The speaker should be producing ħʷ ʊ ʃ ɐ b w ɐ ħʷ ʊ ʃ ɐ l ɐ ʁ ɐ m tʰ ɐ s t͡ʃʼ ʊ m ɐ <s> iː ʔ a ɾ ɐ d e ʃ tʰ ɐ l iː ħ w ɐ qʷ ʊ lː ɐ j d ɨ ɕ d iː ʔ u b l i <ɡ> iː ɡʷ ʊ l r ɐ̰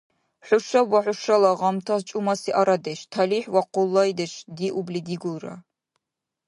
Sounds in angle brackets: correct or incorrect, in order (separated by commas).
correct, incorrect